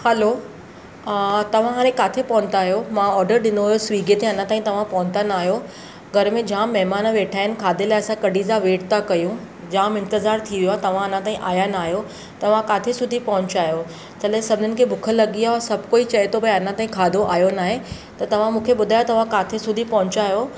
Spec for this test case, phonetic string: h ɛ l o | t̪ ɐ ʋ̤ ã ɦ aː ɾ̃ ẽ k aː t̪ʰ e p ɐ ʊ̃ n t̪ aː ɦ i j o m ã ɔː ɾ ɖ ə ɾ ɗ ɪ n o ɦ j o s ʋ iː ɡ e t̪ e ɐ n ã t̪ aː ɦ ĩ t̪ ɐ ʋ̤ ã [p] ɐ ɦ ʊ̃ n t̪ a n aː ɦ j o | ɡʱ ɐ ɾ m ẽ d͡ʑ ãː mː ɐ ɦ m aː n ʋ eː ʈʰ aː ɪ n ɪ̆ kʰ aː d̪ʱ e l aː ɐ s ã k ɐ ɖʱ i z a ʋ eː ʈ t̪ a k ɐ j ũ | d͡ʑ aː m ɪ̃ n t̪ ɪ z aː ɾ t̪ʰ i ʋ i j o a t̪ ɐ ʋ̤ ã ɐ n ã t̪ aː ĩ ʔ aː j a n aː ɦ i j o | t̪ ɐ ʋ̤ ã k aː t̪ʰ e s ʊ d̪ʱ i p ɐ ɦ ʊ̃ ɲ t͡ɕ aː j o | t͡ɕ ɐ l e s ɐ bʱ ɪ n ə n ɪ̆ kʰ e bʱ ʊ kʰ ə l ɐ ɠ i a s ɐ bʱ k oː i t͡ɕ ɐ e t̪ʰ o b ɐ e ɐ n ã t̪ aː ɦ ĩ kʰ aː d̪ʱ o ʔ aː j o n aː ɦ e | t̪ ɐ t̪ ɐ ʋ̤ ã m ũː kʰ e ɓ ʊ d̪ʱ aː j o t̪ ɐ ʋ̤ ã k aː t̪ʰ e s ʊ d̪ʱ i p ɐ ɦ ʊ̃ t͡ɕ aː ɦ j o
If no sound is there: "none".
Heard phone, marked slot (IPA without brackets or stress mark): p